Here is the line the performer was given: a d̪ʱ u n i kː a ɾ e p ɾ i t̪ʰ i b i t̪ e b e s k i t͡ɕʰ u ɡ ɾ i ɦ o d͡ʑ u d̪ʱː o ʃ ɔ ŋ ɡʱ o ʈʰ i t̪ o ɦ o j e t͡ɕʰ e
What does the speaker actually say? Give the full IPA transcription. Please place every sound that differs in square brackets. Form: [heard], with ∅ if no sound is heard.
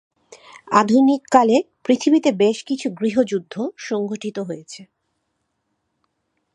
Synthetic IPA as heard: a d̪ʱ u n i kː a [l] e p ɾ i t̪ʰ i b i t̪ e b e [ʃ] k i t͡ɕʰ u ɡ ɾ i ɦ o d͡ʑ u d̪ʱː o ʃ ɔ ŋ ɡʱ o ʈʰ i t̪ o ɦ o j e t͡ɕʰ e